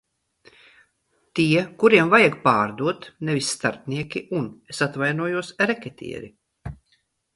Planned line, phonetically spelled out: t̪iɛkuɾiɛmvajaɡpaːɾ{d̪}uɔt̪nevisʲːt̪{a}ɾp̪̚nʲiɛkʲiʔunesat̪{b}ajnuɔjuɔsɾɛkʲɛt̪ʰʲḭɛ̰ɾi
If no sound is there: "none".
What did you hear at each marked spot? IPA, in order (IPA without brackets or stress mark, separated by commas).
d̪, a, v